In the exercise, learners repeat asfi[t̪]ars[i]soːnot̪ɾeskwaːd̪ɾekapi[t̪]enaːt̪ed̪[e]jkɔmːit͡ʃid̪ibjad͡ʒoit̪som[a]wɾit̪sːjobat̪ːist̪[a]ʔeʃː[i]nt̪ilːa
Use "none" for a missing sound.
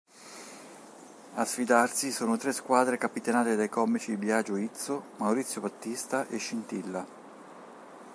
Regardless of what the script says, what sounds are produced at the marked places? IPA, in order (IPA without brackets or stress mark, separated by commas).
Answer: d̪, i, t̪, a, a, a, i